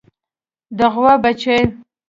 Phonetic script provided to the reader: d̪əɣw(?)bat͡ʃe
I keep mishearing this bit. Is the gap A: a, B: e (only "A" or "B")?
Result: A